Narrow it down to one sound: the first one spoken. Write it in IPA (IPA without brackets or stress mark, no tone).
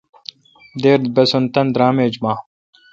d̪